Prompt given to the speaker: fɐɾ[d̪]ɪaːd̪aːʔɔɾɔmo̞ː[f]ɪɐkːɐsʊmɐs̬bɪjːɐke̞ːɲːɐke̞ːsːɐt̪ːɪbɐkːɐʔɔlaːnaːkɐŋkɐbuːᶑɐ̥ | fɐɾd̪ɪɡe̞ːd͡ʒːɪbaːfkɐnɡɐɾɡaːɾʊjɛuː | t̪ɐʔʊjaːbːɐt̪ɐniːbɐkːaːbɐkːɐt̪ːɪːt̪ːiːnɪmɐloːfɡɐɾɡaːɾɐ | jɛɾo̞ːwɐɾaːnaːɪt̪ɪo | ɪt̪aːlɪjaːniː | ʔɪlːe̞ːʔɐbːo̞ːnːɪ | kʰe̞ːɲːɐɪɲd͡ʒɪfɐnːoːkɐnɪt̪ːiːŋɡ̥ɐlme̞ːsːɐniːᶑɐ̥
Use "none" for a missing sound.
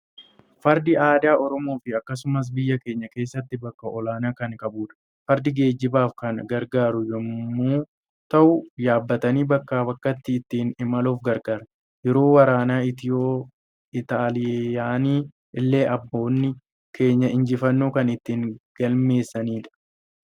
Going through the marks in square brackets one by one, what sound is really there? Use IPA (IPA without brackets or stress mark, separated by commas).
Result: d̪, f